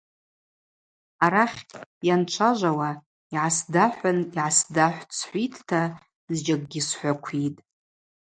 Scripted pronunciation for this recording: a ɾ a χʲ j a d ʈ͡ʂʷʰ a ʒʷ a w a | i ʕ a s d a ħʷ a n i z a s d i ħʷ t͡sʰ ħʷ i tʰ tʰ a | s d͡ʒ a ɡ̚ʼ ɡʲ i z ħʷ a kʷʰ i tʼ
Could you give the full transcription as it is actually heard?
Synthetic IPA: a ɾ a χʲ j a n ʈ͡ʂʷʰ a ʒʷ a w a | i ʕ a s d a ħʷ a n i ʕ a s d a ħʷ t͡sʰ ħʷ i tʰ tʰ a | z d͡ʒ a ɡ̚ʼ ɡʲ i s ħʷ a kʷʰ i tʼ

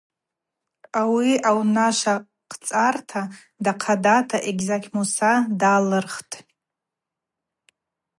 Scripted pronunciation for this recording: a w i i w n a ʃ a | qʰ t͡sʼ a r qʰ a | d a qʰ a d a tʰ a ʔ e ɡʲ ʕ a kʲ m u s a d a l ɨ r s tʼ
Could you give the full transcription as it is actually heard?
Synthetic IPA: a w i a w n a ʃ a | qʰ t͡sʼ a r tʰ a | d a qʰ a d a tʰ a ʔ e ɡʲ z a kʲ m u s a d a l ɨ r χ tʼ

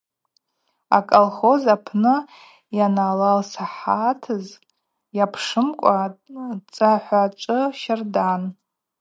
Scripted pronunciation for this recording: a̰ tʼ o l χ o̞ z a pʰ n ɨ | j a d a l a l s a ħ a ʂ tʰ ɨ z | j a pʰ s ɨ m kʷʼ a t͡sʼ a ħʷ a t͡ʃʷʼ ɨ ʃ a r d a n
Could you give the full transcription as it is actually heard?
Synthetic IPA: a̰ kʼ o l χ o̞ z a pʰ n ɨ | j a n a l a l s a ħ a tʰ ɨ z | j a pʰ ʂ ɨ m kʷʼ a t͡sʼ a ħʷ a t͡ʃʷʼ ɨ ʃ a r d a n

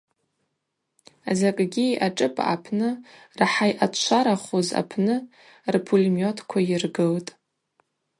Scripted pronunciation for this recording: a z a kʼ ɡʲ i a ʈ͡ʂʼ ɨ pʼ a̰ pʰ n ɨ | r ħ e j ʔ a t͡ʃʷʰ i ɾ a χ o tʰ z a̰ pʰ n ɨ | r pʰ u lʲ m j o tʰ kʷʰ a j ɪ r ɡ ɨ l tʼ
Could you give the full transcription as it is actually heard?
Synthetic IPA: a z a kʼ ɡʲ i a ʈ͡ʂʼ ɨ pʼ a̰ pʰ n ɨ | r ħ a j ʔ a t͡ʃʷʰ a ɾ a χ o z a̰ pʰ n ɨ | r pʰ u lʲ m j o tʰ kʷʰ a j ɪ r ɡ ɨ l tʼ

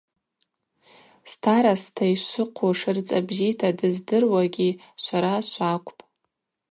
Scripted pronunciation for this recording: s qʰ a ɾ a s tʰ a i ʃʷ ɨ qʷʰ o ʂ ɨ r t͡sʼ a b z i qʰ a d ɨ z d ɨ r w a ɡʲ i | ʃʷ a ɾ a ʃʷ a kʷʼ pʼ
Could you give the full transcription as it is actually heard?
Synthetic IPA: s tʰ a ɾ a s tʰ a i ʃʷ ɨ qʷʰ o ʂ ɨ r t͡sʼ a b z i tʰ a d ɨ z d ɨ r w a ɡʲ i | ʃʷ a ɾ a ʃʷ a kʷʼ pʼ

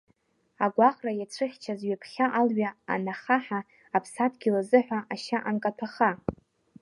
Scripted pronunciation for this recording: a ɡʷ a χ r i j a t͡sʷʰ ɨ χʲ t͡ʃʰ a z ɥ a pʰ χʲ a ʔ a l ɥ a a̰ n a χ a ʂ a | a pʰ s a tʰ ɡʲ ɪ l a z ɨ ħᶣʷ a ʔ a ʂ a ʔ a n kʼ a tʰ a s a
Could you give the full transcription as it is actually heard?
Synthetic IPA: a ɡʷ a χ r a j a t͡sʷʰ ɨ χʲ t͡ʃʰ a z ɥ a pʰ χʲ a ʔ a l ɥ a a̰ n a χ a ħ a | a pʰ s a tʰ ɡʲ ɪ l a z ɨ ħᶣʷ a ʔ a ʃ a ʔ a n kʼ a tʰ a χ a

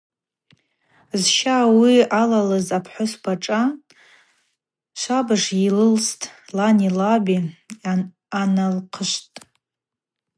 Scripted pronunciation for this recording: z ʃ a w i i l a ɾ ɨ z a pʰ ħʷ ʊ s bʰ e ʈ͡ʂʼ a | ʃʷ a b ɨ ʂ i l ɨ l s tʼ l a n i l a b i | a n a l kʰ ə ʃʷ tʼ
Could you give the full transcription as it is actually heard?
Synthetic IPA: z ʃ a w i a l a l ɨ z a pʰ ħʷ ʊ s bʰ a ʈ͡ʂʼ a | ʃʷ a b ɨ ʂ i l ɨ l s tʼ l a n i l a b i | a n a l qʰ ə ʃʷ tʼ

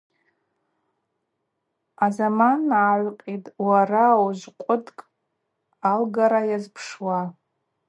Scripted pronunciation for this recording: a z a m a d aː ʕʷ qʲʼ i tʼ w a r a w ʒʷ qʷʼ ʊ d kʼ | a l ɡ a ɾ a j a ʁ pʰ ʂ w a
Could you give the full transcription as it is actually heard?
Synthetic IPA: a z a m a n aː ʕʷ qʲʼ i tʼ w a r a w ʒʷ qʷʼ ʊ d kʼ | a l ɡ a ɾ a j a z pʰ ʂ w a

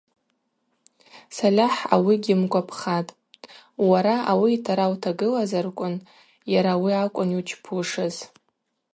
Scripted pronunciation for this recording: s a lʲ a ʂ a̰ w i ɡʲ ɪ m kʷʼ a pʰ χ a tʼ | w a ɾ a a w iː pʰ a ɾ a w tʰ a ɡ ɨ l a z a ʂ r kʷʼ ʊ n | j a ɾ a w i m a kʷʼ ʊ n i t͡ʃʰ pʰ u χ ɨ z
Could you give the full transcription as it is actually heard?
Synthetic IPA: s a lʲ a ħ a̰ w i ɡʲ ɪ m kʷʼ a pʰ χ a tʼ | w a ɾ a a w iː tʰ a ɾ a w tʰ a ɡ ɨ l a z a r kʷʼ ʊ n | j a ɾ a w i a kʷʼ ʊ n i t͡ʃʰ pʰ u ʂ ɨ z

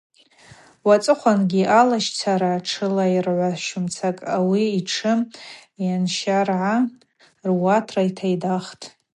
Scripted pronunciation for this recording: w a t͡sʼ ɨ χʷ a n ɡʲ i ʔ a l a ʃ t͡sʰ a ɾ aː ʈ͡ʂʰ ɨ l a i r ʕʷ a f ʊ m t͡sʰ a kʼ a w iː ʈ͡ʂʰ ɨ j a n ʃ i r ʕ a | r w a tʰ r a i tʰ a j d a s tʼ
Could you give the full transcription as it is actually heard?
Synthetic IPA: w a t͡sʼ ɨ χʷ a n ɡʲ i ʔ a l a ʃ t͡sʰ a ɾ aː ʈ͡ʂʰ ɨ l a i r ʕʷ a ʃ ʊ m t͡sʰ a kʼ a w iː ʈ͡ʂʰ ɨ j a n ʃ a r ʕ a | r w a tʰ r a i tʰ a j d a χ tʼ

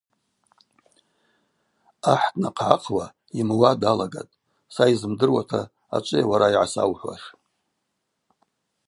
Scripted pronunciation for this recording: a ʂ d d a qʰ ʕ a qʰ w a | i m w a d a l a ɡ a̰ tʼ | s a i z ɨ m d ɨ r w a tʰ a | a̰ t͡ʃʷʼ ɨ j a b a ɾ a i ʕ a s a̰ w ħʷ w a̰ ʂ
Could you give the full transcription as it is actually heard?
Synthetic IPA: a ħ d n a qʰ ʕ a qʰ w a | i m w a d a l a ɡ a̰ tʼ | s a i z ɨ m d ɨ r w a tʰ a | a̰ t͡ʃʷʼ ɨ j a w a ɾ a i ʕ a s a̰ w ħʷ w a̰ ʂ

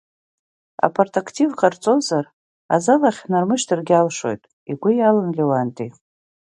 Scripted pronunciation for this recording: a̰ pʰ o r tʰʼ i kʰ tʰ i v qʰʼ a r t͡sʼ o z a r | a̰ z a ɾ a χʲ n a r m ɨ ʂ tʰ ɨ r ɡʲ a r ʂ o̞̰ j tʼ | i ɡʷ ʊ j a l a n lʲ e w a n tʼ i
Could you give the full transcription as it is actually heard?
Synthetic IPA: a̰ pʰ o r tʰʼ a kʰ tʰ i v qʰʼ a r t͡sʼ o z a r | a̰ z a l a χʲ n a r m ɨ ʃ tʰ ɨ r ɡʲ a l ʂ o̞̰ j tʼ | i ɡʷ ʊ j a l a n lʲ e w a n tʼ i

